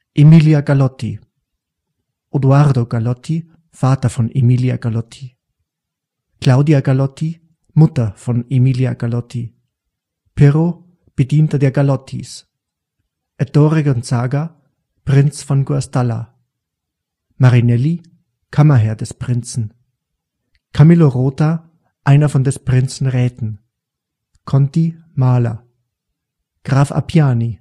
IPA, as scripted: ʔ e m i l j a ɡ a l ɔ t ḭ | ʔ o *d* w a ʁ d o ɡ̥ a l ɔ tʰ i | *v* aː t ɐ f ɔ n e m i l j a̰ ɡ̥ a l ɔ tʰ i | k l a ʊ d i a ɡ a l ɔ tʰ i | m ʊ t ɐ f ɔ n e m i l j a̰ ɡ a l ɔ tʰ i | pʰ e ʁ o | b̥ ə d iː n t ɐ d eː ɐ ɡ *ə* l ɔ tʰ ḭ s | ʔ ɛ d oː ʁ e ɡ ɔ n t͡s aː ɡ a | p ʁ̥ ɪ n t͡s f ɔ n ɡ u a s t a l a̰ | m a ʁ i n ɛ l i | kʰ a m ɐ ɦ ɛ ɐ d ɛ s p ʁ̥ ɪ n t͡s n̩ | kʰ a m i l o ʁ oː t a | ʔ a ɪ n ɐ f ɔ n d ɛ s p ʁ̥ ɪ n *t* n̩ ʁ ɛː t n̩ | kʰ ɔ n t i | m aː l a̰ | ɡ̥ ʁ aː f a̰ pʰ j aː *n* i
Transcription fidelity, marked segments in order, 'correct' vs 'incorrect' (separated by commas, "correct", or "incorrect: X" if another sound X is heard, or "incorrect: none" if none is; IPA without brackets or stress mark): correct, incorrect: f, incorrect: a, incorrect: t͡s, correct